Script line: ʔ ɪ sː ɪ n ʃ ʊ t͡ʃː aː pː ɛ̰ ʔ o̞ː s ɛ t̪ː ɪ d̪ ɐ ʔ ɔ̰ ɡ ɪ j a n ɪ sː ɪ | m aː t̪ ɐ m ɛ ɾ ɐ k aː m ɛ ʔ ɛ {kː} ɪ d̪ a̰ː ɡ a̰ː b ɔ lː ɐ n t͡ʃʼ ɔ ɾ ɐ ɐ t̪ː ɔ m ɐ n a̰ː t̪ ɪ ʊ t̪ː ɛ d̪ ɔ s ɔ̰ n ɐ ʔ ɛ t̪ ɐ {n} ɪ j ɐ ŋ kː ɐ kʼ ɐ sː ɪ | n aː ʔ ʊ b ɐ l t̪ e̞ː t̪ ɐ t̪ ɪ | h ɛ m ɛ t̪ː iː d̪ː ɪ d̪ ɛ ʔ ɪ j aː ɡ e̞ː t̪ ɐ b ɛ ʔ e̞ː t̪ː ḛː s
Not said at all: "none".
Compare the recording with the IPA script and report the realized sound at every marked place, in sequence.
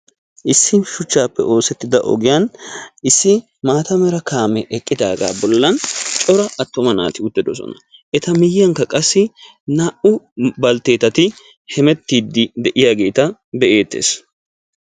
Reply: kʼː, m

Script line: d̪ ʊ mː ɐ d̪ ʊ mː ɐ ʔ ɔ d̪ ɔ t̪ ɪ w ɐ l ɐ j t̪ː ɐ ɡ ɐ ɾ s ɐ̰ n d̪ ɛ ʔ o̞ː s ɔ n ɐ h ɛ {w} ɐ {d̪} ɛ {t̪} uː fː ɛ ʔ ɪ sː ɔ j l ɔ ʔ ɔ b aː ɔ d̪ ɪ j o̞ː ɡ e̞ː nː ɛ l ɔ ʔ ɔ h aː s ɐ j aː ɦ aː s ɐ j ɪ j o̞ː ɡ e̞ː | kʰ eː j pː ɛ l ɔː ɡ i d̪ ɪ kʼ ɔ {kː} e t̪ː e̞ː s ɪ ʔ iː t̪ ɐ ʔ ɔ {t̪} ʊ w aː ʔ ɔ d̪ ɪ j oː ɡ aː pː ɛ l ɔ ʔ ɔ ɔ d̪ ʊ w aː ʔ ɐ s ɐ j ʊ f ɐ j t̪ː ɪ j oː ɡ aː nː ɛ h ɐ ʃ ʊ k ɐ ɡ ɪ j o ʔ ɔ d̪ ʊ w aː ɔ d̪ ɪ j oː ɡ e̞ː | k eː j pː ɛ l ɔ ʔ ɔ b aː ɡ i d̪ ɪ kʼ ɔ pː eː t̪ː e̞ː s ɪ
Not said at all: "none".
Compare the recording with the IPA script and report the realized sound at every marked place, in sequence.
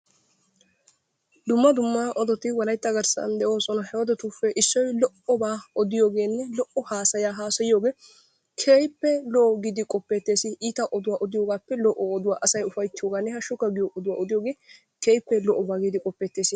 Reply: w, d̪, t̪, pː, d̪

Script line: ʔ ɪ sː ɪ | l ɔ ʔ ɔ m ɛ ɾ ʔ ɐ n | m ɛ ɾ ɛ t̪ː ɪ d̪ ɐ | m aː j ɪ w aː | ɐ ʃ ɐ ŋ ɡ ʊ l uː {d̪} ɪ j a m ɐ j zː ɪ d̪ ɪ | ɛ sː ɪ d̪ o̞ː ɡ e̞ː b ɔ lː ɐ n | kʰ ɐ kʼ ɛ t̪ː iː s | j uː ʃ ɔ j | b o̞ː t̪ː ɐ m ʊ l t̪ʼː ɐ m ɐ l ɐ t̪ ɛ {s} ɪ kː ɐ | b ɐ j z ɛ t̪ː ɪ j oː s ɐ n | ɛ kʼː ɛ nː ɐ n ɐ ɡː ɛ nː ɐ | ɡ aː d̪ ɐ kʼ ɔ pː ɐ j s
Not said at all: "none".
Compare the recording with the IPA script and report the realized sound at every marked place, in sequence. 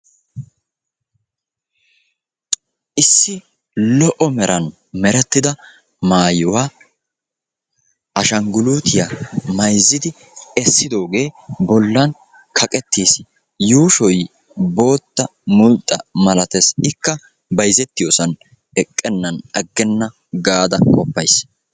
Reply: t̪, s

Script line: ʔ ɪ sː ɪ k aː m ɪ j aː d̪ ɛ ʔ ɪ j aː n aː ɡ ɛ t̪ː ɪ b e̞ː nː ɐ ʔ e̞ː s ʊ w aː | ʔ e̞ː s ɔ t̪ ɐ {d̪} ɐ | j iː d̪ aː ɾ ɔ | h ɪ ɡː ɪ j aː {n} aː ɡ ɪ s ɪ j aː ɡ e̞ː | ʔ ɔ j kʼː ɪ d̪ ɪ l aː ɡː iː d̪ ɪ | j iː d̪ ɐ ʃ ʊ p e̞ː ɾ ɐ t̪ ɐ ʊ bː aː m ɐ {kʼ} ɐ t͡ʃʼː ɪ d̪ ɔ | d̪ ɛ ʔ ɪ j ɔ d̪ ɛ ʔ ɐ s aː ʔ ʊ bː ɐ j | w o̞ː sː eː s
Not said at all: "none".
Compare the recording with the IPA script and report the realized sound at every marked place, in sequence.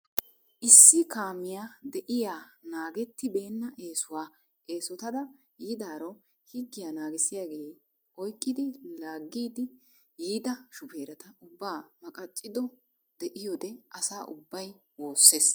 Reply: d̪, n, kʼ

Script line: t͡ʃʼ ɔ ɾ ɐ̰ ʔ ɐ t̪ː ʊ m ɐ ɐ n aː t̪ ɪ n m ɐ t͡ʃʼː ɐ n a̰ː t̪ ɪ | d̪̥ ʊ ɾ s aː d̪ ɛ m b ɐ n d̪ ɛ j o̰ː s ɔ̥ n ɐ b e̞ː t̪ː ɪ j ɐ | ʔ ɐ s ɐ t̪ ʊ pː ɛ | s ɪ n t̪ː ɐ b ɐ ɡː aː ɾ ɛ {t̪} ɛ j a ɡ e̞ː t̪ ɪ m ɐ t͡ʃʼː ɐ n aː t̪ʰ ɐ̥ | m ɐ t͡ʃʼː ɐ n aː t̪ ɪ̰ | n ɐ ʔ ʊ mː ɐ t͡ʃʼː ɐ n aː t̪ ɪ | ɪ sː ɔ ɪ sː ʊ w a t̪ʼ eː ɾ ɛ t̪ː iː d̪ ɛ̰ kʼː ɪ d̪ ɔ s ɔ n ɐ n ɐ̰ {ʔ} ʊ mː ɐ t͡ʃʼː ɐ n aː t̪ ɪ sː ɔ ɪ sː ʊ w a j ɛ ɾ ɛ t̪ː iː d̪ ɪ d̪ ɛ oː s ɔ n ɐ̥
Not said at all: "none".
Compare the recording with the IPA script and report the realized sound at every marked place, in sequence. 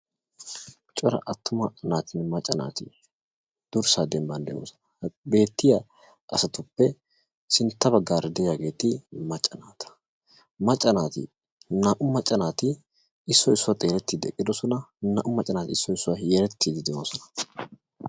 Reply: d̪, ʔ

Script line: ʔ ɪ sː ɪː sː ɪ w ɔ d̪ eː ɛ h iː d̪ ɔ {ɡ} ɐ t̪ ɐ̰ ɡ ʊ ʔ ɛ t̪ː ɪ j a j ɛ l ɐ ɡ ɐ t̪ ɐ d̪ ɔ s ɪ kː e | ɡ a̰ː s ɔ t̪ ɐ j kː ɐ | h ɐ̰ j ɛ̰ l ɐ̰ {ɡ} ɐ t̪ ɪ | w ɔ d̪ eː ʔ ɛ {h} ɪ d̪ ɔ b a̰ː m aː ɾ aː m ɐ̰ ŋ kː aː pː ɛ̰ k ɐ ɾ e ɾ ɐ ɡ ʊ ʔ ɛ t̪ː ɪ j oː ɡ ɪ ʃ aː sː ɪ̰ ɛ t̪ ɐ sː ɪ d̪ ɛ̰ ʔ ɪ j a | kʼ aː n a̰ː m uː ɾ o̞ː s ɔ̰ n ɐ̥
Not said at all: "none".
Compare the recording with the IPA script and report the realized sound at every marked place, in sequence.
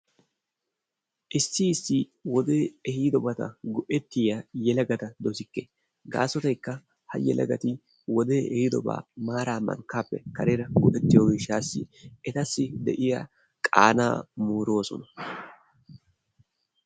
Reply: b, ɡ, h

